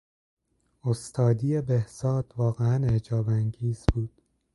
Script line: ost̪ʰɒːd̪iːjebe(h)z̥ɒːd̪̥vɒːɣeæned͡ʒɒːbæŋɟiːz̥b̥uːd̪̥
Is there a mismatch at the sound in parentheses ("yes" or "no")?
no